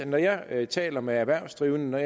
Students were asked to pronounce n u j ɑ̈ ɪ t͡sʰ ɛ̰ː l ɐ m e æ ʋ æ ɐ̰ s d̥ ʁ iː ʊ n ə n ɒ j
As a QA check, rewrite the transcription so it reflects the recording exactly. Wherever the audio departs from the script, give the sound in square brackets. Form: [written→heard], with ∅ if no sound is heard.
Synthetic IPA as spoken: n [u→ɒ] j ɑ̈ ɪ t͡sʰ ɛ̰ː l ɐ m e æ ʋ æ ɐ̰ s d̥ ʁ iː ʊ n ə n ɒ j